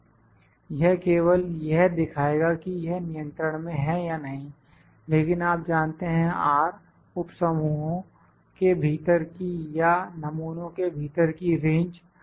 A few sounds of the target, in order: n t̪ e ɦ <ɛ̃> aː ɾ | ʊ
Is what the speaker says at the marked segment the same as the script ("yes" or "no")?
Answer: yes